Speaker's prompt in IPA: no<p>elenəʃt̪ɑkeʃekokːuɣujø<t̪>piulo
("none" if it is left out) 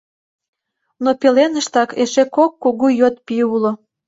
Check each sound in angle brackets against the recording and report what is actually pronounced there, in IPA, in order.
p, t̪

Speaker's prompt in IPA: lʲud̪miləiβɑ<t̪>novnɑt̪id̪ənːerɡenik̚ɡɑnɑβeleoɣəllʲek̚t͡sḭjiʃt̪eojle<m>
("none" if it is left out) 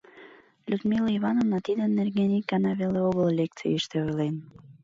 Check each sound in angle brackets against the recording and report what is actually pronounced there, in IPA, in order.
none, n

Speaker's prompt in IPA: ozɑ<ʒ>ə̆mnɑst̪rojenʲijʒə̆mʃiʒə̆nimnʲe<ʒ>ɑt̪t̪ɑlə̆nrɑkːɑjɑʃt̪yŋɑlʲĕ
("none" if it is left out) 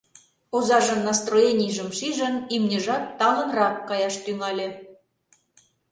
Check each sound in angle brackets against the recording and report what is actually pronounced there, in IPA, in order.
ʒ, ʒ

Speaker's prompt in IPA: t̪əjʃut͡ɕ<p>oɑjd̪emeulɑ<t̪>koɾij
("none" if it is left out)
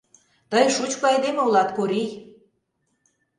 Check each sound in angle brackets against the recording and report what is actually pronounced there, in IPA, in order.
k, t̪

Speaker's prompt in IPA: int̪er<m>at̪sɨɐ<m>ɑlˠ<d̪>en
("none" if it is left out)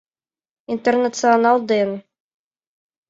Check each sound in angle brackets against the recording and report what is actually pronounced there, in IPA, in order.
n, n, d̪

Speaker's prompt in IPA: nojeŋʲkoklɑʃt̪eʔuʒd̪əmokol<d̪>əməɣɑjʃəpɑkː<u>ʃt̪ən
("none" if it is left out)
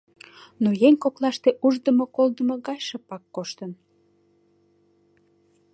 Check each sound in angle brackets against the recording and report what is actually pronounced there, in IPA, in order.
d̪, o

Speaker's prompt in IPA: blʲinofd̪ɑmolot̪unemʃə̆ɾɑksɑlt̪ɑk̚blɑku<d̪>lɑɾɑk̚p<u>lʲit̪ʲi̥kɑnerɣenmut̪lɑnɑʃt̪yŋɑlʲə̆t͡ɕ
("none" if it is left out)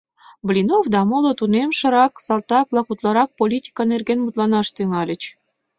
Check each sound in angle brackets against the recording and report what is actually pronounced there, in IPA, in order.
t̪, o

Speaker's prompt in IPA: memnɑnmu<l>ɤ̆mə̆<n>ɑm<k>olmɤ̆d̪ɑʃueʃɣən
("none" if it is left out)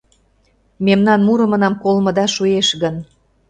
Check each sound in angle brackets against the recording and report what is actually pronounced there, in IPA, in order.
ɾ, n, k

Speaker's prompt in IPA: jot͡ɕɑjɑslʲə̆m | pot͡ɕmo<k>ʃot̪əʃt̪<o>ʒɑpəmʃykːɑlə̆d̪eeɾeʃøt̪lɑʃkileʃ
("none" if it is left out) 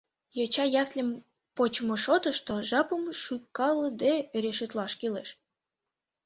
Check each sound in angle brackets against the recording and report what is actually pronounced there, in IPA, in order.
none, o

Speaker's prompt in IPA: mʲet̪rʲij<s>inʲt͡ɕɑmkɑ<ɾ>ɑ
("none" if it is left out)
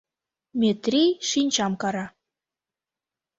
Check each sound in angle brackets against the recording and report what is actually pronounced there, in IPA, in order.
ʃ, ɾ

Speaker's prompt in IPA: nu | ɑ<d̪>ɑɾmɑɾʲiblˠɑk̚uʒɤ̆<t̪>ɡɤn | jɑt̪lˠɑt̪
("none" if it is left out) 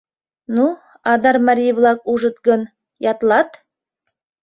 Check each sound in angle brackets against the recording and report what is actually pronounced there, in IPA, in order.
d̪, t̪

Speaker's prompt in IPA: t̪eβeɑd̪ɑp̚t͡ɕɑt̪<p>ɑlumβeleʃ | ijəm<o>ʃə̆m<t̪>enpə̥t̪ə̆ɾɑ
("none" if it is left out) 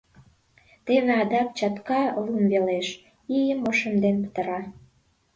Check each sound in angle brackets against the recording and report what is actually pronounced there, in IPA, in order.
k, o, d̪

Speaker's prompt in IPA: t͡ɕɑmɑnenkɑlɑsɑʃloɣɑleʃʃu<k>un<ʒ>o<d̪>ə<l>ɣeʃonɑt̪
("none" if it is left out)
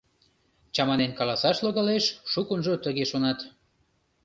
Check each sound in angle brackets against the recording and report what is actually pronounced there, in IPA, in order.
k, ʒ, t̪, none

